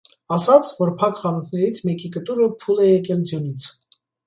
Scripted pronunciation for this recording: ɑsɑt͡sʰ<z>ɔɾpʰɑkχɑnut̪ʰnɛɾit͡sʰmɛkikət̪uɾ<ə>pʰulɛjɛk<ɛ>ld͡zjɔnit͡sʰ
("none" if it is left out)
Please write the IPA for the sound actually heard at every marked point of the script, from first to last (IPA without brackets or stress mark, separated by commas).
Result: v, ə, ɛ